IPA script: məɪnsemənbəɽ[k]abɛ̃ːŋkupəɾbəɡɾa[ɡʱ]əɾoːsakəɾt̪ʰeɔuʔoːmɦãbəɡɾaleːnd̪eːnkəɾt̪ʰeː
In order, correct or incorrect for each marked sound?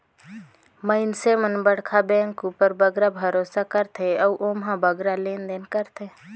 incorrect: kʰ, incorrect: bʱ

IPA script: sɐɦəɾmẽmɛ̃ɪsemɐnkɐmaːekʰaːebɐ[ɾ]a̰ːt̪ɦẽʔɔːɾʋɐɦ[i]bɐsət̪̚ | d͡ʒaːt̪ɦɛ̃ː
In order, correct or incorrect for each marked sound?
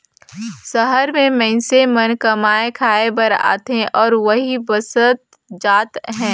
correct, correct

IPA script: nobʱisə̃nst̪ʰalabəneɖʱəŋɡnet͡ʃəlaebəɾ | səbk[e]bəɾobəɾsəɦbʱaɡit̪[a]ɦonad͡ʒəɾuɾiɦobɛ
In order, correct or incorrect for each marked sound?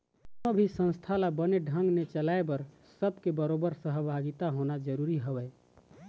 correct, correct

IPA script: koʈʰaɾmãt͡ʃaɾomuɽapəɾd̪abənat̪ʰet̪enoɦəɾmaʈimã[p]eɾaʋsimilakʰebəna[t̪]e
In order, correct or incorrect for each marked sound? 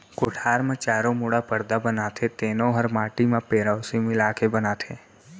correct, incorrect: t̪ʰ

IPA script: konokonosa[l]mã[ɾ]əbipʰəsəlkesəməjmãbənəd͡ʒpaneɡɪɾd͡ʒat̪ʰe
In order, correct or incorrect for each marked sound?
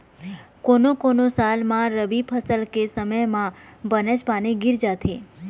correct, correct

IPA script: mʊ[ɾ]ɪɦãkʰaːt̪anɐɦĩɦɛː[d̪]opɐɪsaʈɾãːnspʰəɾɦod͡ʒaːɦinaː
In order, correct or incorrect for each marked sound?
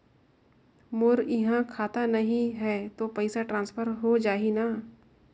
correct, incorrect: t̪

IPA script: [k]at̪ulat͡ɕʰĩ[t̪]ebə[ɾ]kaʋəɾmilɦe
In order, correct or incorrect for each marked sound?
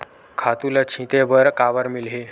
incorrect: kʰ, correct, correct

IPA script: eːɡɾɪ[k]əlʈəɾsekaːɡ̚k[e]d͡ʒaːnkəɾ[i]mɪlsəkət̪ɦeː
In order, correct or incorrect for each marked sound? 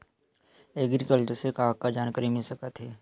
correct, incorrect: a, correct

